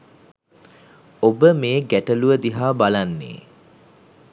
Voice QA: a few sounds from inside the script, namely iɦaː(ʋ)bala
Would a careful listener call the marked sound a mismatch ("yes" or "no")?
yes